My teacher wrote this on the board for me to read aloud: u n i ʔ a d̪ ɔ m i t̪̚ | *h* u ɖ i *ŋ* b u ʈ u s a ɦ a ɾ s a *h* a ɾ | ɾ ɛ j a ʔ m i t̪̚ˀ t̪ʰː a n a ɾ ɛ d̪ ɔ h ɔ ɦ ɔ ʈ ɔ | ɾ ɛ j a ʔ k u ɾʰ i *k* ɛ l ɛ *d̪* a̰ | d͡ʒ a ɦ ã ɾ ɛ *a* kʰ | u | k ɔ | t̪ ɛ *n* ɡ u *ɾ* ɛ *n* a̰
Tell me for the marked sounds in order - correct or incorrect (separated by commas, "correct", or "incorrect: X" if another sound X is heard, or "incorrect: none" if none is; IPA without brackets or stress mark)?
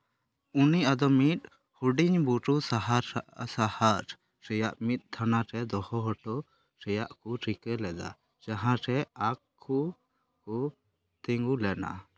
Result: correct, incorrect: ɲ, correct, correct, correct, correct, incorrect: ŋ, incorrect: l, correct